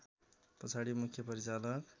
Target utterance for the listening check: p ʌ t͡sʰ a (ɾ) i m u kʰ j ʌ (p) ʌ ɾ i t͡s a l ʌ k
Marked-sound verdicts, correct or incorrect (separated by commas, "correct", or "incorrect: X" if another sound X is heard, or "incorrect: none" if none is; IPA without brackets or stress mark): incorrect: ɽ, correct